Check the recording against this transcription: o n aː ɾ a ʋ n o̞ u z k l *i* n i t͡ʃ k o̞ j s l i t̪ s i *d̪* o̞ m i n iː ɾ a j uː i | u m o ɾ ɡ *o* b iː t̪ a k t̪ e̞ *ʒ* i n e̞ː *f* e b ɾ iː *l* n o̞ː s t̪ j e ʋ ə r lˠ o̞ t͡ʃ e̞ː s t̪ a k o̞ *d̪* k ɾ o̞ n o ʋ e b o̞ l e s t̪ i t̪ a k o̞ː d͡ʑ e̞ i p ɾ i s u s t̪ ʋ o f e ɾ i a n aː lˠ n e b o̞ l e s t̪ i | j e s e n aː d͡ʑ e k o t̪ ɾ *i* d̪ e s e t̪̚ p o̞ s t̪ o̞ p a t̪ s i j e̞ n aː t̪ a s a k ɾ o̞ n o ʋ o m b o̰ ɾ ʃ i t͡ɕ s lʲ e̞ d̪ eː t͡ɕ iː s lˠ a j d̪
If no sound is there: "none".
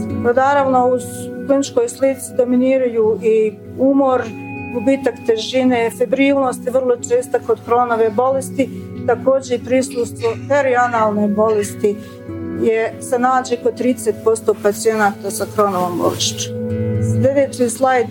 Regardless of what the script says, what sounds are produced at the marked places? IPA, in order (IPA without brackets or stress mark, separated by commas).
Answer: i, d̪, u, ʒ, f, l, d̪, iː